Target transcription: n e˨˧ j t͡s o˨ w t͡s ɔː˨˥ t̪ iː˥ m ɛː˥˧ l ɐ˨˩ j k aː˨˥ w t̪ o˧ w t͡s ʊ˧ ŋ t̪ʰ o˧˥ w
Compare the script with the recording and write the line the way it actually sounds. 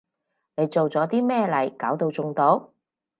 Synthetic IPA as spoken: n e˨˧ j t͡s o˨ w t͡s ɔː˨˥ t̪ iː˥ m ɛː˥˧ l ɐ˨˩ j k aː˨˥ w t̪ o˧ w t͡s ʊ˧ ŋ t̪ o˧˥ w